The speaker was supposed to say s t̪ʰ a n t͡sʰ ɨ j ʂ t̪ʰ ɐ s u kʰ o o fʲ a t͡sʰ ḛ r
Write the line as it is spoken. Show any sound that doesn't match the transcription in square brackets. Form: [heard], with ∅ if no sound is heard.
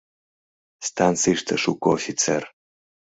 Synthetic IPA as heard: s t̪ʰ a n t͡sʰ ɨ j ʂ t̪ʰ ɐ [ʂ] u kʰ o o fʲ [i] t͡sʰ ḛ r